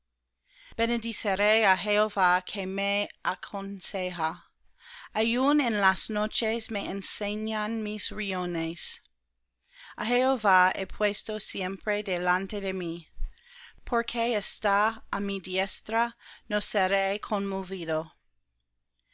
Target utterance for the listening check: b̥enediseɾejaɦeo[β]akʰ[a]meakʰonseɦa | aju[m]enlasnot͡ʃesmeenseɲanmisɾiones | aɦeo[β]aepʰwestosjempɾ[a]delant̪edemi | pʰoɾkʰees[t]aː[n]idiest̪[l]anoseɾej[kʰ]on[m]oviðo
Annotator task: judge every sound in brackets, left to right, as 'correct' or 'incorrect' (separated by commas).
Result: incorrect, incorrect, incorrect, incorrect, incorrect, correct, incorrect, incorrect, correct, correct